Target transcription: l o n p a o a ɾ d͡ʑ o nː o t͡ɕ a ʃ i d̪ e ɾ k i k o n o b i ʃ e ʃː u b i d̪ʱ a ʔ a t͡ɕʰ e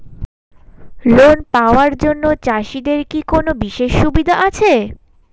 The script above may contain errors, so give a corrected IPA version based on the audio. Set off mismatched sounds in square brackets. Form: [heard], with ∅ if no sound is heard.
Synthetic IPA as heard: l o n p a o a ɾ d͡ʑ o nː o t͡ɕ a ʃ i d̪ e ɾ k i k o n o b i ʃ e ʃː u b i d̪ʱ a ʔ a t͡ɕʰ e

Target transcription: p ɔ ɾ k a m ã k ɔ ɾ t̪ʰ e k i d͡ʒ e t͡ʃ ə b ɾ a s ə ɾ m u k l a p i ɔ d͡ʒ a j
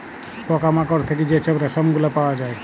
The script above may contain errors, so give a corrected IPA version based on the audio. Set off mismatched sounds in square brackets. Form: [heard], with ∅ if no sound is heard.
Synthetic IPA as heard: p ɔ [∅] k a m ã k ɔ ɾ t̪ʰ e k i d͡ʒ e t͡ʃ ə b ɾ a s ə [∅] m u [ɡ] l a p [a] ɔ d͡ʒ a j

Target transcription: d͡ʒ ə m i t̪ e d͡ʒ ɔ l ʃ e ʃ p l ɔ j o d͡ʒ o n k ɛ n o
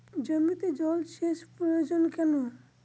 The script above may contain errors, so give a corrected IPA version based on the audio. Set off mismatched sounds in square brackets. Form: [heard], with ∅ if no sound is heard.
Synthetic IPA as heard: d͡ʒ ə m i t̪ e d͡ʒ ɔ l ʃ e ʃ p [ɾ] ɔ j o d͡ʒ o n k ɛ n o

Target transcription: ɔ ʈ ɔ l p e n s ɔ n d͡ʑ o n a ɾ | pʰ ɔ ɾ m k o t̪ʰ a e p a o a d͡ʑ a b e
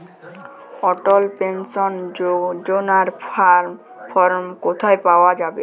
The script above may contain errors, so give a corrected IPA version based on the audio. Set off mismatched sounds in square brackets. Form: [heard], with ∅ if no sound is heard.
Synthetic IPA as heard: ɔ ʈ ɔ l p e n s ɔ n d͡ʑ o n a ɾ | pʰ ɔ ɾ m k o t̪ʰ a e p a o a d͡ʑ a b e

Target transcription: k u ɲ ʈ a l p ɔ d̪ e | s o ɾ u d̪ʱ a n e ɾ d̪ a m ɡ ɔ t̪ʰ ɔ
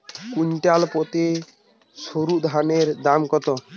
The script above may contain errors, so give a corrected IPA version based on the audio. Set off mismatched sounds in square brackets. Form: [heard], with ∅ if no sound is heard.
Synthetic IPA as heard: k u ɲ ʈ a l p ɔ [t̪] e | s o ɾ u d̪ʱ a n e ɾ d̪ a m [k] ɔ [t̪] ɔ

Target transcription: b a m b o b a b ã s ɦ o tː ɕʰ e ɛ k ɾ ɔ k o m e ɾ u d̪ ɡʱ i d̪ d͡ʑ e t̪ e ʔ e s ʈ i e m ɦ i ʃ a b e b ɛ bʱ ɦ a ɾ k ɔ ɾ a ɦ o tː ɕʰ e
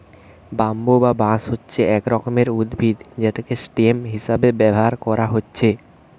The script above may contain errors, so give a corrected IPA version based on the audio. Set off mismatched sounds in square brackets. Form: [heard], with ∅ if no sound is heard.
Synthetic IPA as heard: b a m b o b a b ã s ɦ o tː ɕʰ e ɛ k ɾ ɔ k o m e ɾ u d̪ [bʱ] i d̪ d͡ʑ e t̪ e [k] e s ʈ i e m ɦ i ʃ a b e b ɛ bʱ ɦ a ɾ k ɔ ɾ a ɦ o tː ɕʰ e

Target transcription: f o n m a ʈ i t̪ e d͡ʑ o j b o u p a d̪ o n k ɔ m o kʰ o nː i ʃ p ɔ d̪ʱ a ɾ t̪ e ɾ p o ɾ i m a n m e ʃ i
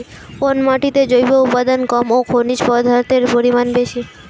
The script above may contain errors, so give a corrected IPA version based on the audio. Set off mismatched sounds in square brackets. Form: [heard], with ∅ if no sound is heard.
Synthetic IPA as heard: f o n m a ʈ i t̪ e d͡ʑ o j b o u p a d̪ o n k ɔ m o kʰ o [n] i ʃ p ɔ d̪ʱ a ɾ t̪ e ɾ p o ɾ i m a n [b] e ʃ i

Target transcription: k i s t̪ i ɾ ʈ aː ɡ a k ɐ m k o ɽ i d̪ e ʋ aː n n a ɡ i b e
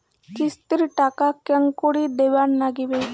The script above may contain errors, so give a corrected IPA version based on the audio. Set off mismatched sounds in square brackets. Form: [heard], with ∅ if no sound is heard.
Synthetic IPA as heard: k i s t̪ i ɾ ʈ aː [k] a k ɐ [ŋ] k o ɽ i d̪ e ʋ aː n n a ɡ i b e

